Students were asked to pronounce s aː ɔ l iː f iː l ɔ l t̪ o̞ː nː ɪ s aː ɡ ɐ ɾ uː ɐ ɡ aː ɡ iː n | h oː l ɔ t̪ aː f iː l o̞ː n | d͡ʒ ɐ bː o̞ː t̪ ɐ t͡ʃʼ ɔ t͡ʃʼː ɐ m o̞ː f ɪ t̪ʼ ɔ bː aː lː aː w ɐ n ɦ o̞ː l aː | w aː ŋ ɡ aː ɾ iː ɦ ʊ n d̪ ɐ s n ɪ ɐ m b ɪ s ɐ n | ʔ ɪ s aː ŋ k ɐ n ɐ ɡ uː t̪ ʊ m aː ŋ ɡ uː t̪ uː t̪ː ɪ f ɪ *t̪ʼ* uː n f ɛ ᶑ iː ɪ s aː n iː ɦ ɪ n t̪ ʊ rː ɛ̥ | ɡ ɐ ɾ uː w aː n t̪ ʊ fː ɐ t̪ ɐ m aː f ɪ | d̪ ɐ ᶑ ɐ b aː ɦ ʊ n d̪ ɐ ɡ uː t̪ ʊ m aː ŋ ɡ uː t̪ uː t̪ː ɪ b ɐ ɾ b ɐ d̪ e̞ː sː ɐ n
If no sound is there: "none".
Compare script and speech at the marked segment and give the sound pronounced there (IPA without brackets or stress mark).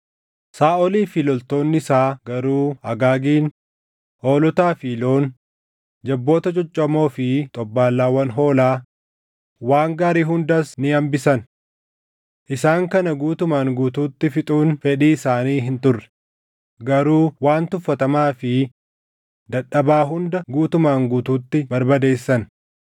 t̪ʼ